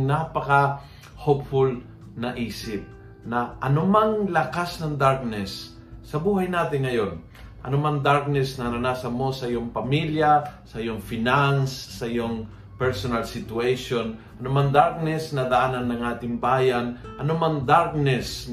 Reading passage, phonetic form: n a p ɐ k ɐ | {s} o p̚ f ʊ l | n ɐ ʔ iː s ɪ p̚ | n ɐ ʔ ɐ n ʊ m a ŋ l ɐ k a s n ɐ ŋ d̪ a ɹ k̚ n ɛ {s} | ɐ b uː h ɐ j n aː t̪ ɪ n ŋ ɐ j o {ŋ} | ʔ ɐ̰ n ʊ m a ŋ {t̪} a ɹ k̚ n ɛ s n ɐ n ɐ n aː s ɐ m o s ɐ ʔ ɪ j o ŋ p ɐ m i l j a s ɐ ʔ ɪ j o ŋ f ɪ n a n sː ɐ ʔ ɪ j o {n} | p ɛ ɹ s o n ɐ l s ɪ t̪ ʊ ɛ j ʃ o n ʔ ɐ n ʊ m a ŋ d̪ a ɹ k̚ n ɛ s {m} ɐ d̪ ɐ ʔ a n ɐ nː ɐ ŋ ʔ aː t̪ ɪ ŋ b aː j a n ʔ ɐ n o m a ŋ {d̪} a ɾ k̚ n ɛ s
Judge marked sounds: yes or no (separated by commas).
no, no, no, no, no, no, yes